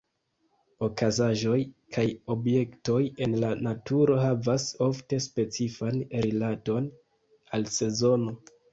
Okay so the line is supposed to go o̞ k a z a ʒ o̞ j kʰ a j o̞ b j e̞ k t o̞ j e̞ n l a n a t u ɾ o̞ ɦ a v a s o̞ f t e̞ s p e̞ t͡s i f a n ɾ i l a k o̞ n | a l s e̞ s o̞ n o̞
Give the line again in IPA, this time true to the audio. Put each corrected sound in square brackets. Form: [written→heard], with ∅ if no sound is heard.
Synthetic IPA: o̞ k a z a ʒ o̞ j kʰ a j o̞ b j e̞ k t o̞ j e̞ n l a n a t u ɾ o̞ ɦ a v a s o̞ f t e̞ s p e̞ t͡s i f a n ɾ i l a [k→t] o̞ n | a l s e̞ [s→z] o̞ n o̞